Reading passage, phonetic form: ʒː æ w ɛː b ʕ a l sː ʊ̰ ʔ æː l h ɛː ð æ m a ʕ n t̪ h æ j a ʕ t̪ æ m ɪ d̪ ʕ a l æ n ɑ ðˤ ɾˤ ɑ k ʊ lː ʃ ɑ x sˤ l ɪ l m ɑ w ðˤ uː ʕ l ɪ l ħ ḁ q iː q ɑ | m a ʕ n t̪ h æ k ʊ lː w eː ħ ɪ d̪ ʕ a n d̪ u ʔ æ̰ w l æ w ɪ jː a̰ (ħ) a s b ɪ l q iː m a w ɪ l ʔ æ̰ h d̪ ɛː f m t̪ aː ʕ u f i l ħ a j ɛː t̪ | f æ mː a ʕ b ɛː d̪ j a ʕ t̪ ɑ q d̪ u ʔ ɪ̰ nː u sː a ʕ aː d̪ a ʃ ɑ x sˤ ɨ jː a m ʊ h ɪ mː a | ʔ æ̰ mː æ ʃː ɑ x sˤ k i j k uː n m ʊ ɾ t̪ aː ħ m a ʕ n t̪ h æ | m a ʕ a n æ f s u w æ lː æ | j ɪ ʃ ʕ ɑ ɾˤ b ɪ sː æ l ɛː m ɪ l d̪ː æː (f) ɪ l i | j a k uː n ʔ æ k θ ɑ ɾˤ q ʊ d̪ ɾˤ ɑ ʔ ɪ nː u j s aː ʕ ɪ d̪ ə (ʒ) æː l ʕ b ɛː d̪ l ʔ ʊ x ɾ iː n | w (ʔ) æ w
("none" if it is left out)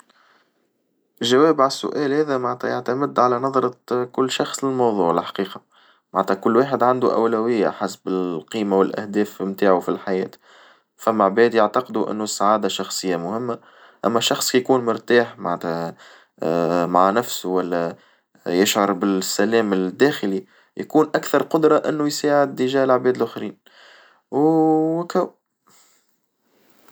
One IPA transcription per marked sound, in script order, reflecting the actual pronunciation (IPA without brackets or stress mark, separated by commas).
ħ, x, ʒ, k